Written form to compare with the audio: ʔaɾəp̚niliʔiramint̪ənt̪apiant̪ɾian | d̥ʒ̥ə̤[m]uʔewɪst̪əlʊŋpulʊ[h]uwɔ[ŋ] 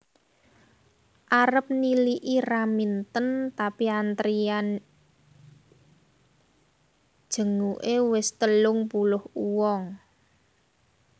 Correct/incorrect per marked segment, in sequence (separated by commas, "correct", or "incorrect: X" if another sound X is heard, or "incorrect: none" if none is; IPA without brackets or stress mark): incorrect: ŋ, correct, correct